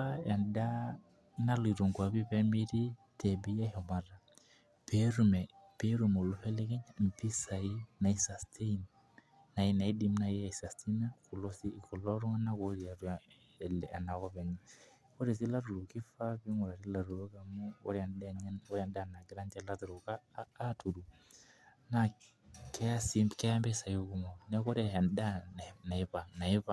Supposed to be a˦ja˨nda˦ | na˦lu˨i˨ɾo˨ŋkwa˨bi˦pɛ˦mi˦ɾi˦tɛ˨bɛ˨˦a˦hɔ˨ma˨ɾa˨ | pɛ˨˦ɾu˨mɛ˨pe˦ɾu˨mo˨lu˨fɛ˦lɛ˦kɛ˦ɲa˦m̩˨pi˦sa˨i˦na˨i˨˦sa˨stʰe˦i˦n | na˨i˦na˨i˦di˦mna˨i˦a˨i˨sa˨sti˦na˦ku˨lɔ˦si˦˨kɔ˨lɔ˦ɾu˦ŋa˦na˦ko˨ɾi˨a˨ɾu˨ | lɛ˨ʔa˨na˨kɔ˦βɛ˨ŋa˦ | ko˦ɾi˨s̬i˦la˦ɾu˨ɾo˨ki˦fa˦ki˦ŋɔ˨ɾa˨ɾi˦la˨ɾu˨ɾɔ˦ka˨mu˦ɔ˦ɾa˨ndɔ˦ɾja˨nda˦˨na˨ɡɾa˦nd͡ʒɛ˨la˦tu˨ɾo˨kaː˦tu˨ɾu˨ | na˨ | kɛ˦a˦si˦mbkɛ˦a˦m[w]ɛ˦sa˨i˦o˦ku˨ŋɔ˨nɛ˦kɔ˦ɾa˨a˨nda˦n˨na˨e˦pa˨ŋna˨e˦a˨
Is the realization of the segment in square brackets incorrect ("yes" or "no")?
yes